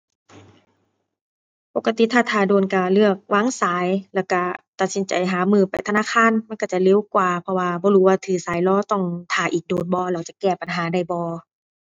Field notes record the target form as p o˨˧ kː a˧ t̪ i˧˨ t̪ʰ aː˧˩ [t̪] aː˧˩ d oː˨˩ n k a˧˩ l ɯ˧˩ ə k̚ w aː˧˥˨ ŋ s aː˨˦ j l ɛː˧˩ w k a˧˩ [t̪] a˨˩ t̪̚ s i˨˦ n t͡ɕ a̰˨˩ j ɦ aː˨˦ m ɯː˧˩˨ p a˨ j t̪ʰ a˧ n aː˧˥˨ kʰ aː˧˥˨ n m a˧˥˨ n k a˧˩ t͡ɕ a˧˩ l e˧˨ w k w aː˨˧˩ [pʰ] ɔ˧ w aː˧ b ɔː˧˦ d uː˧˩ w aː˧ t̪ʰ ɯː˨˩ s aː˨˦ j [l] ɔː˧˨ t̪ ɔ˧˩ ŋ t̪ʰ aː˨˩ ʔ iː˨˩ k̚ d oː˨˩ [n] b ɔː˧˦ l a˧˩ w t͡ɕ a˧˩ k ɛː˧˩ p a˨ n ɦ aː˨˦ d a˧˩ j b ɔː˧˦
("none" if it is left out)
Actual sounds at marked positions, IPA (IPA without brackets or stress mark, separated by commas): t̪ʰ, t̪, pʰ, l, n